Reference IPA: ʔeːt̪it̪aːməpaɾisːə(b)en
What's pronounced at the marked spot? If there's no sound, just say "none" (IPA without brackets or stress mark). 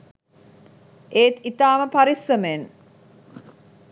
m